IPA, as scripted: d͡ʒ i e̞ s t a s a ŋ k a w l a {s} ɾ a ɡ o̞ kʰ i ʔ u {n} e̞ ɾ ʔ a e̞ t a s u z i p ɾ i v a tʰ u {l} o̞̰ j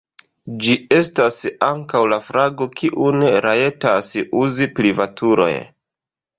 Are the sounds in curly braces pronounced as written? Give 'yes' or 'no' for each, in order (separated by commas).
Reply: no, yes, no